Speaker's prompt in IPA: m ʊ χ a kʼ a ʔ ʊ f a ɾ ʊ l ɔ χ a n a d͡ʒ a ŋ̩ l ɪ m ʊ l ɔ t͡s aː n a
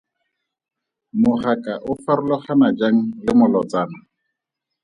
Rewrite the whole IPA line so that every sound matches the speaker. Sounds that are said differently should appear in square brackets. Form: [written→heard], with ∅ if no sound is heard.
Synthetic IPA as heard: m ʊ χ a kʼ a ʔ ʊ f a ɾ ʊ l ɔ χ a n a d͡ʒ a ŋ̩ l ɪ m ʊ l ɔ t͡s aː n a